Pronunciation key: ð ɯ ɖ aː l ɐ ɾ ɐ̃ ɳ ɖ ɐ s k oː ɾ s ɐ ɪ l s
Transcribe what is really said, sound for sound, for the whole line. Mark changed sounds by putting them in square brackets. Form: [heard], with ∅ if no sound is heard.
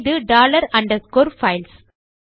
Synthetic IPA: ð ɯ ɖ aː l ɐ ɾ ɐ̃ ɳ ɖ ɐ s k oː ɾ [f] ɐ ɪ l s